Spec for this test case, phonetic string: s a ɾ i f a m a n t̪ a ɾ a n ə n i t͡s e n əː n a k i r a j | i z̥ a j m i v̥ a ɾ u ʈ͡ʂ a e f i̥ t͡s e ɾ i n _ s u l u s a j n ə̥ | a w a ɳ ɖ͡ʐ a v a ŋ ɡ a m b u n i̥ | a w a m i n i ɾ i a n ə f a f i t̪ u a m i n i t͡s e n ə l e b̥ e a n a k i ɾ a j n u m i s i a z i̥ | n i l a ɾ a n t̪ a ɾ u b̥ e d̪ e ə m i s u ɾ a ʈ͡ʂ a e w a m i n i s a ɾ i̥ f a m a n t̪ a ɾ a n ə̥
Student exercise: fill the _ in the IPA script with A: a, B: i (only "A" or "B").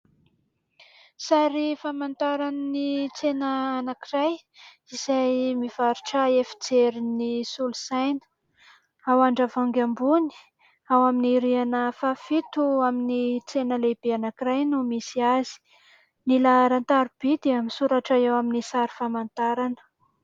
B